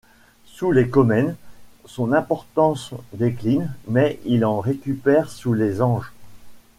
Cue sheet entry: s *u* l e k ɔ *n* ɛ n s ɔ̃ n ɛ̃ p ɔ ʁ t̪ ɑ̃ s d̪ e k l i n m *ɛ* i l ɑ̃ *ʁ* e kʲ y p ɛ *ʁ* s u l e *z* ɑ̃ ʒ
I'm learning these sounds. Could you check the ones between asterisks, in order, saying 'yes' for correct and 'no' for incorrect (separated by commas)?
yes, no, yes, yes, yes, yes